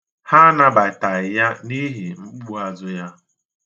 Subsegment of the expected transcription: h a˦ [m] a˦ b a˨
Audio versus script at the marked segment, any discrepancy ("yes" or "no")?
yes